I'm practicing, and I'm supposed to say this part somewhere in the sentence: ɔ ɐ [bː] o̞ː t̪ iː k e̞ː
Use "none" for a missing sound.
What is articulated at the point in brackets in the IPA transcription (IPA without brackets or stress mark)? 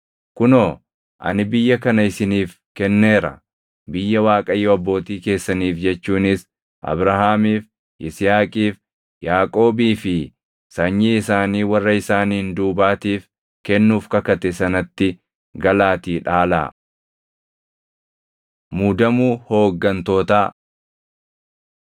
bː